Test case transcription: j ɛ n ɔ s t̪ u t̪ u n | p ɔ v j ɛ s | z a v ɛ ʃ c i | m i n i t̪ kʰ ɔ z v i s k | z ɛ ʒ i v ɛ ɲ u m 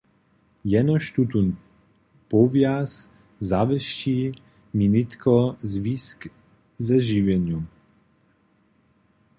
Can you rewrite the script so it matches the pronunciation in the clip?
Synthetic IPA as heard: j ɛ n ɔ ʃ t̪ u t̪ u n | p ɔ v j a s | z a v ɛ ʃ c i | m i n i t̪ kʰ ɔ z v i s k | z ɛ ʒ i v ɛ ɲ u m